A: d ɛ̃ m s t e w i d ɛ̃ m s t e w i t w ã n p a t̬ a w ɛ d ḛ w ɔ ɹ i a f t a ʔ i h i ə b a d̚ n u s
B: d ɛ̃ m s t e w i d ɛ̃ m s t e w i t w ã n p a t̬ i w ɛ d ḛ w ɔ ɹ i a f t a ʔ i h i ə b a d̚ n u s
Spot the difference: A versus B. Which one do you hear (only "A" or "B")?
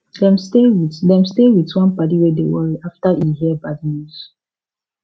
B